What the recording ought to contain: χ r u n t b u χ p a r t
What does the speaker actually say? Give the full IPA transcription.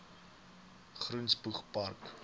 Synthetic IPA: χ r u n s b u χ p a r k

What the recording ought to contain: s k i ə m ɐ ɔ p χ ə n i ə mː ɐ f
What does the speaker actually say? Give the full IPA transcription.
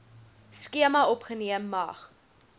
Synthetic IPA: s k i ə m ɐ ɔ p χ ə n i ə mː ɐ χ

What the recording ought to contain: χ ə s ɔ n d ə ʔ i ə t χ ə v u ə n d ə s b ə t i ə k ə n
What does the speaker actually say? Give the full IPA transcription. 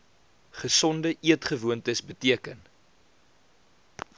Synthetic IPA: χ ə s ɔ n d ə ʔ i ə t χ ə v u ə n t ə s b ə t i ə k ə n

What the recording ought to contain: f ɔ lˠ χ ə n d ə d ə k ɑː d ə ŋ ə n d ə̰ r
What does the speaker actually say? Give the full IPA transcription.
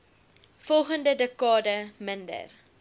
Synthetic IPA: f ɔ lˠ χ ə n d ə d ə k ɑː d ə m ə n d ə̰ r

